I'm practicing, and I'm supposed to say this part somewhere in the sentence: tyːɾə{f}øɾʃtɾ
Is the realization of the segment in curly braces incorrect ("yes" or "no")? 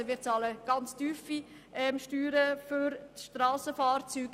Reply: no